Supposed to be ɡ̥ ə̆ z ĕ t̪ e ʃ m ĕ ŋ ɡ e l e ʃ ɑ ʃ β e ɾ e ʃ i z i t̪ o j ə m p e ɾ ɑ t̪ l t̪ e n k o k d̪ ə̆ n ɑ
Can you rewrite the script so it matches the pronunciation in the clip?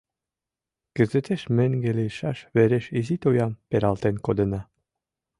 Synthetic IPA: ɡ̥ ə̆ z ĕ t̪ e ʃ m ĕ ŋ ɡ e l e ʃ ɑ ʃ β e ɾ e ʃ i z i t̪ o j ɑ m p e ɾ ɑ l t̪ e n k o d̪ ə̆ n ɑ